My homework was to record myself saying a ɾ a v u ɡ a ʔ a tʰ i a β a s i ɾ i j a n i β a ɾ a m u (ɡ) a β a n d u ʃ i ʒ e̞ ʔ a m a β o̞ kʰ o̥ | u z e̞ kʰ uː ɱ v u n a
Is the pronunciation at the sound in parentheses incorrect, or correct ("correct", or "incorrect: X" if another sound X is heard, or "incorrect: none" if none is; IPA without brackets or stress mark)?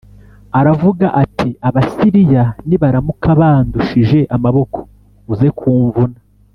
incorrect: k